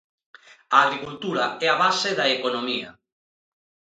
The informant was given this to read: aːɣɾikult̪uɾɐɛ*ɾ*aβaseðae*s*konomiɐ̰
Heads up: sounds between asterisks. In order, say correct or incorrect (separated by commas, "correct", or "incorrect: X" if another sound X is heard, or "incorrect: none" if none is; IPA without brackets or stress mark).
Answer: incorrect: none, incorrect: none